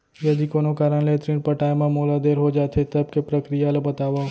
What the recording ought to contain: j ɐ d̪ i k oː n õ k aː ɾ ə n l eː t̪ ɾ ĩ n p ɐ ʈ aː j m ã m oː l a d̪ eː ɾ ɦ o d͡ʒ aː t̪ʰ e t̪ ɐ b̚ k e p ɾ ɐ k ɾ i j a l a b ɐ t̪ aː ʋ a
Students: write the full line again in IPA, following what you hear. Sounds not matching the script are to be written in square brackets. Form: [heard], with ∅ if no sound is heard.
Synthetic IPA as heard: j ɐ d̪ i k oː n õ k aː ɾ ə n l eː t̪ ɾ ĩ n p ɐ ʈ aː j m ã m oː l a d̪ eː ɾ ɦ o d͡ʒ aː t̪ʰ e t̪ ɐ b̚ k e p ɾ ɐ k ɾ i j a l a b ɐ t̪ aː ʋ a